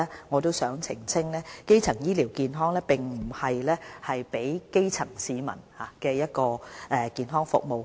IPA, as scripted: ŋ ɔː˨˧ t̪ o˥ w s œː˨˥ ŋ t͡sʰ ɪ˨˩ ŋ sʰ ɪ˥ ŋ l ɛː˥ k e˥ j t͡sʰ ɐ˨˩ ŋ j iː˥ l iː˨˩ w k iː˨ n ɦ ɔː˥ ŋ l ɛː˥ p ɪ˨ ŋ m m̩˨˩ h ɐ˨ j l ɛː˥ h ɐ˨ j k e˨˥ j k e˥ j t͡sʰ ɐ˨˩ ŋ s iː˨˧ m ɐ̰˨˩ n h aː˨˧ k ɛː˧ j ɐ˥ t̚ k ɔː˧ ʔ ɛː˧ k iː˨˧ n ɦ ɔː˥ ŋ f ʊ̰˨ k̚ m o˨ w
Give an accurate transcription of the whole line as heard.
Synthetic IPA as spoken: ŋ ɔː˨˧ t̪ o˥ w s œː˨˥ ŋ t͡sʰ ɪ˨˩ ŋ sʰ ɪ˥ ŋ l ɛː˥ k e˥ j t͡sʰ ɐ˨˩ ŋ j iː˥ l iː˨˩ w k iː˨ n ɦ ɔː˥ ŋ l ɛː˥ p ɪ˨ ŋ m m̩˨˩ h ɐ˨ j l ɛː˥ h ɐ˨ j p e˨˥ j k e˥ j t͡sʰ ɐ˨˩ ŋ s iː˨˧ m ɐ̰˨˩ n h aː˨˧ k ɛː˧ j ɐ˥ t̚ k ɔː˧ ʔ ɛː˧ k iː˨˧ n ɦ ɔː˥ ŋ f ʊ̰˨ k̚ m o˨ w